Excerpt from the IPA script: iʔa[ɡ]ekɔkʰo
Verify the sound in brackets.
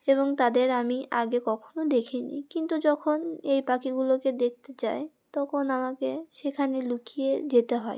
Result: correct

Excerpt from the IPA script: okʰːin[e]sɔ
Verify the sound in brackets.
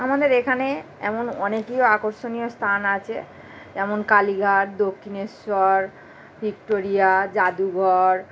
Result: correct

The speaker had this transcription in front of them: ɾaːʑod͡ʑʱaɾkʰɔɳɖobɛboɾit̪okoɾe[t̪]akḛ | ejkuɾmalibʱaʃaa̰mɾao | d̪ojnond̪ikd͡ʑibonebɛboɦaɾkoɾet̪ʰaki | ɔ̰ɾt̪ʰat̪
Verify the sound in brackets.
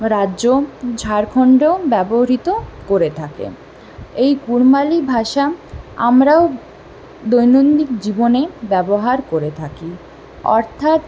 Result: incorrect: t̪ʰ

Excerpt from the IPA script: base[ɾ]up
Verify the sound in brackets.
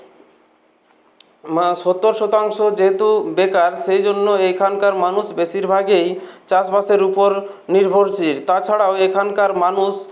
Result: correct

